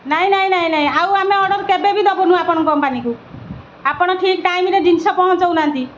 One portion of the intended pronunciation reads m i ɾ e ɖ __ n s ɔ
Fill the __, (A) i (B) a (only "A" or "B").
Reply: A